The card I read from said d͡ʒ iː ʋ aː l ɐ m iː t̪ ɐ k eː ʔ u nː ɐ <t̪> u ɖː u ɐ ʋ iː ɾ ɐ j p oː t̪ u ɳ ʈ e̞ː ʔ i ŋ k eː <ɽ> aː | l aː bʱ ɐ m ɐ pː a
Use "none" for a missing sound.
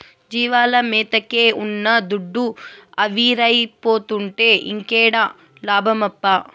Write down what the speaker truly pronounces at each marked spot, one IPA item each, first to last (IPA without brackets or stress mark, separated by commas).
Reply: d̪, ɽ